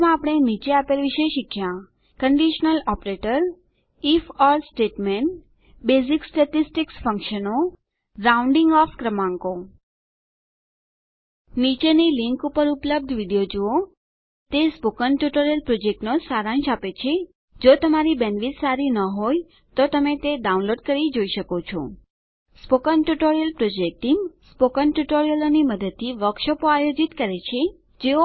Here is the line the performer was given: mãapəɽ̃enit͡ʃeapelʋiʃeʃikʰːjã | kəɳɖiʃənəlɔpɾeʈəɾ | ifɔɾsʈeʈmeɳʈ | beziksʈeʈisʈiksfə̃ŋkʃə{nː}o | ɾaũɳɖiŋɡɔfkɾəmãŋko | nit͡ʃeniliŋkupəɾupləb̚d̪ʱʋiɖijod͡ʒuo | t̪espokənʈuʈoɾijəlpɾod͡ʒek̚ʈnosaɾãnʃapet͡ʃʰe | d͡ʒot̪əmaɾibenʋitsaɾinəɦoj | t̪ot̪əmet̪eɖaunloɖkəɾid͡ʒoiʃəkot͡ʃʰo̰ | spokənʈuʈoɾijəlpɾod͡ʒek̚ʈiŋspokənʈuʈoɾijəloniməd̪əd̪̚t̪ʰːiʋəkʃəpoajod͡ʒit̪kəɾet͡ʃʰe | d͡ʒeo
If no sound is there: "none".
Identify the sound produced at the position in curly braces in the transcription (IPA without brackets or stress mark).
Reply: n